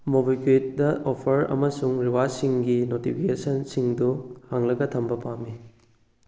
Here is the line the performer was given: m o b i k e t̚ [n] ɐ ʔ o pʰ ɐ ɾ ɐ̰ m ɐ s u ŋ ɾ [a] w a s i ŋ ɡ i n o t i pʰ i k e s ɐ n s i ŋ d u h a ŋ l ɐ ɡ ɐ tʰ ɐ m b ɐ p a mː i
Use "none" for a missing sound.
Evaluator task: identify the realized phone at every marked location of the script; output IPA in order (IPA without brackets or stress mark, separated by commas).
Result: d, i